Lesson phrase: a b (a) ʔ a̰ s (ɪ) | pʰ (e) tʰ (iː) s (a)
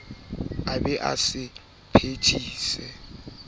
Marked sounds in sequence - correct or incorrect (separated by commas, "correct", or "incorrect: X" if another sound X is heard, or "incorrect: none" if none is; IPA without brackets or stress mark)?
incorrect: ɛ, correct, correct, correct, incorrect: ɛ